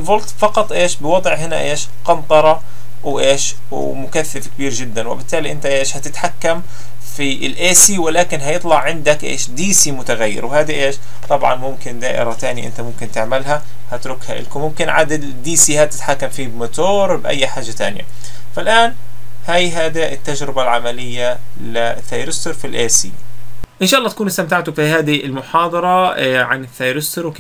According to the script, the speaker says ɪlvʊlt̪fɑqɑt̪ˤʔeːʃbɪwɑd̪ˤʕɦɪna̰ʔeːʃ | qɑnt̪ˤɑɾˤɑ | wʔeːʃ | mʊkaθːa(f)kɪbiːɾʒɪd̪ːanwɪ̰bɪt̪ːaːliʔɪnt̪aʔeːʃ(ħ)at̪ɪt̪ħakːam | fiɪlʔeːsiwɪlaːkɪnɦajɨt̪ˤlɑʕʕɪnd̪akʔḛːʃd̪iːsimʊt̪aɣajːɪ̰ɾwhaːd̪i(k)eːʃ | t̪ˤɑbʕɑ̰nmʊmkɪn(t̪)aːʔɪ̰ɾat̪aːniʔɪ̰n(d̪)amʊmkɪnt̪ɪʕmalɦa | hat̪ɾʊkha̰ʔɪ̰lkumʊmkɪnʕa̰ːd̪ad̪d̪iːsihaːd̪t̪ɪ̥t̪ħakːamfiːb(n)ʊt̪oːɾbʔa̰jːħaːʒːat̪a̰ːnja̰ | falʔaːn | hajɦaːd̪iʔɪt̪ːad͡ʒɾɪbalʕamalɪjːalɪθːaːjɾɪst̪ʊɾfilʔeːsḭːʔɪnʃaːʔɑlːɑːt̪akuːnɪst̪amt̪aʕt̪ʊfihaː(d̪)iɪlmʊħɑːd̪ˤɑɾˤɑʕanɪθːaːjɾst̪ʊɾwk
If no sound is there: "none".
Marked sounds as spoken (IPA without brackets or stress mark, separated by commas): f, h, ʔ, d̪, t̪, m, d̪